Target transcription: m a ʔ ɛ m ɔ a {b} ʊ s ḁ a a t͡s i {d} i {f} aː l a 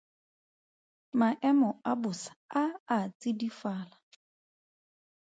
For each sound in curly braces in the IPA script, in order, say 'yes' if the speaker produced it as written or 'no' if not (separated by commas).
yes, yes, yes